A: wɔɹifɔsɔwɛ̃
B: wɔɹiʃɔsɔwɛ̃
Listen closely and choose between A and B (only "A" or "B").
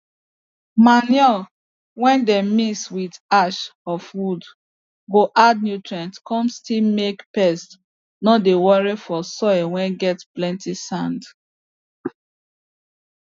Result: A